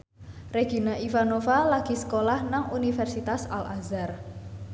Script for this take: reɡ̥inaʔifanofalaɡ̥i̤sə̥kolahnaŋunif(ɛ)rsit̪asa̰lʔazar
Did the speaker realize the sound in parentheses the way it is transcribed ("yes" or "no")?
yes